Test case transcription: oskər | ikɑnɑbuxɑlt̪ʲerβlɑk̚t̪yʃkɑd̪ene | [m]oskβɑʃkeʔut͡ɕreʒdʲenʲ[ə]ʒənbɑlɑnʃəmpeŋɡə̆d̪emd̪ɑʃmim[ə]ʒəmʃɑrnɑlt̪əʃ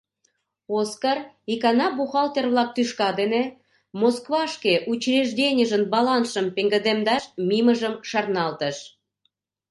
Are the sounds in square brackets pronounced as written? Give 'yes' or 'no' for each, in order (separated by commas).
yes, yes, yes